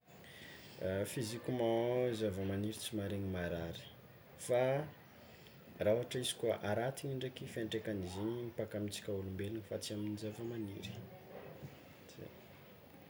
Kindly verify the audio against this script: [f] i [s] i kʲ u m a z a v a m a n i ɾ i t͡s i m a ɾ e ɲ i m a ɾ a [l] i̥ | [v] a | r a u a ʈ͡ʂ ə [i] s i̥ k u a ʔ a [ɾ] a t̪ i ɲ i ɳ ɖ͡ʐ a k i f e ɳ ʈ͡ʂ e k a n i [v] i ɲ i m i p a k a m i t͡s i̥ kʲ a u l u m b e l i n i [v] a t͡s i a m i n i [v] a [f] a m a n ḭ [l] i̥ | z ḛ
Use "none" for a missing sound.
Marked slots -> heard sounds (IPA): f, z, ɾ, f, i, ɾ, z, f, z, v, ɾ

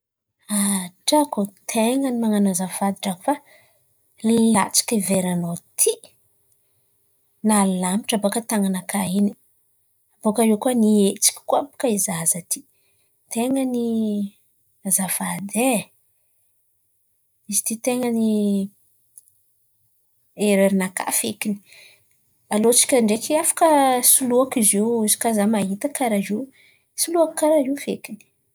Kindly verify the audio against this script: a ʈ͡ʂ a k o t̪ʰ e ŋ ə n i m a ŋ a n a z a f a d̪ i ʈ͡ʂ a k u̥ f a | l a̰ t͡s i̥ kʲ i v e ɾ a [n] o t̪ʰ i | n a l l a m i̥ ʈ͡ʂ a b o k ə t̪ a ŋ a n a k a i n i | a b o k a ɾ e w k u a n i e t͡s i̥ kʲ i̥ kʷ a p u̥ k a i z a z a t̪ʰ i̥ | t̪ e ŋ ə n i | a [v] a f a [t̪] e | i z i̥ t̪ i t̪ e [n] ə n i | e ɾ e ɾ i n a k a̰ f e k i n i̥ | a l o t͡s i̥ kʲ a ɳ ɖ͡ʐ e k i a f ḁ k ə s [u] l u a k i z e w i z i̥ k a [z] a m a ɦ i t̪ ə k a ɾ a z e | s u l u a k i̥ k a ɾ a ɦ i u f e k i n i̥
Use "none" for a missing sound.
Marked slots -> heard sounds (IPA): n, z, d̪, ŋ, u, z

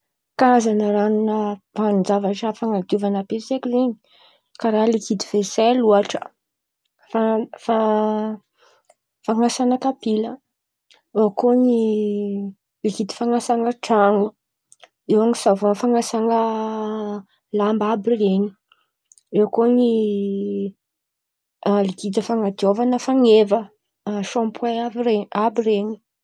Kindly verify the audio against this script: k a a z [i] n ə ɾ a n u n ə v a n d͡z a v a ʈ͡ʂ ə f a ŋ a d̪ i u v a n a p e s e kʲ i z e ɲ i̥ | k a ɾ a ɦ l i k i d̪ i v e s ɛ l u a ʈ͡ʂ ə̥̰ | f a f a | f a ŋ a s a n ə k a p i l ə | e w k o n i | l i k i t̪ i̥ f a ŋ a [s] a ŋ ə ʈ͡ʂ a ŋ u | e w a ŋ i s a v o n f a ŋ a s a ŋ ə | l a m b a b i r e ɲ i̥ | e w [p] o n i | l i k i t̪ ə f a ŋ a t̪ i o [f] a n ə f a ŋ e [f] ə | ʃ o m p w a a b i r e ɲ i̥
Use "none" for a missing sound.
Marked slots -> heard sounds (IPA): a, s, k, v, v

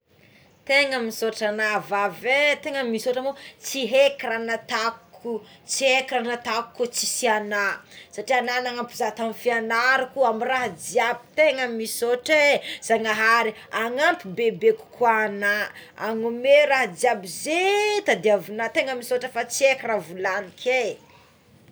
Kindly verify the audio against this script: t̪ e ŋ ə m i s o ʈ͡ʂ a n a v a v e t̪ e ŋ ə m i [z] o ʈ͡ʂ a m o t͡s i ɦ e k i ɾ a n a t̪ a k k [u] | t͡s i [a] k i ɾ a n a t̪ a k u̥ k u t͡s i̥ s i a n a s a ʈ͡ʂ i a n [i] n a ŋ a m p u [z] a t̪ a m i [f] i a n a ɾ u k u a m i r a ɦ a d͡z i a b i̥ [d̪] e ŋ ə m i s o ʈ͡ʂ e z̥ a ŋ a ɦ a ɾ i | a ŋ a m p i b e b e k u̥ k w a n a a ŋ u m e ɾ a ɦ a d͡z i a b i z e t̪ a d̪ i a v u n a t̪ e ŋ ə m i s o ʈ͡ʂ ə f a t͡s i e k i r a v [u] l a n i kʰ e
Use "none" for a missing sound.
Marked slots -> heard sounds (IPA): s, u, e, a, z, f, t̪, u

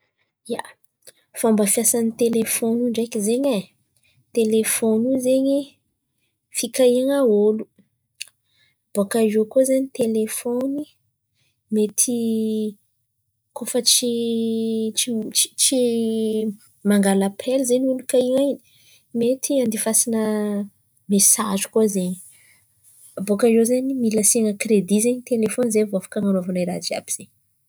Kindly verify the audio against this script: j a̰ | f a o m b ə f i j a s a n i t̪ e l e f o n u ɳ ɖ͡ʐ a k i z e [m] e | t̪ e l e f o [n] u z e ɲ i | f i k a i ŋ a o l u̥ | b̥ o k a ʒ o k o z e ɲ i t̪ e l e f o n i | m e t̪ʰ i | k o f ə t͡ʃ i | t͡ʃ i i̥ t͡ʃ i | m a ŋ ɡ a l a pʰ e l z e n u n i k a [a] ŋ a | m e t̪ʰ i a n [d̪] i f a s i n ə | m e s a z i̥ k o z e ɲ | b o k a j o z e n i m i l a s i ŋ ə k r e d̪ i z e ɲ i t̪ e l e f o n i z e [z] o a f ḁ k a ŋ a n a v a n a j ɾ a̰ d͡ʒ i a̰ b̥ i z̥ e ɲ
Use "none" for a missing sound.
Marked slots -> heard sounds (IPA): ɲ, n, i, d̪, v

